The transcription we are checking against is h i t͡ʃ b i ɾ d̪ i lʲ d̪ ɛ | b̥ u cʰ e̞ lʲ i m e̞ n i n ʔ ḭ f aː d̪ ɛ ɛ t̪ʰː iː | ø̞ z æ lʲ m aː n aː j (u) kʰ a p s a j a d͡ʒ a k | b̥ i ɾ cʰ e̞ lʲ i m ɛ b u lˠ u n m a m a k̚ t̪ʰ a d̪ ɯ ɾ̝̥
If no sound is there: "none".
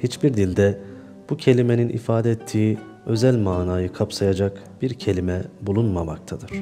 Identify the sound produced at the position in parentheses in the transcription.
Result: ɯ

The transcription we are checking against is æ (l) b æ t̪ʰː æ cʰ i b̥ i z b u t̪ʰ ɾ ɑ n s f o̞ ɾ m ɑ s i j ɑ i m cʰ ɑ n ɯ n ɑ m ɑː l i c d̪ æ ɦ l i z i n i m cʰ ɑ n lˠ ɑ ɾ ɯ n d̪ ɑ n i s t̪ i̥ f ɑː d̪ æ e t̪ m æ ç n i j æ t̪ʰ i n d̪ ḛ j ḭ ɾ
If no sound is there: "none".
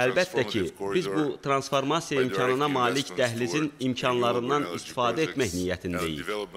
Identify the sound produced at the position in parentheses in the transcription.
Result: l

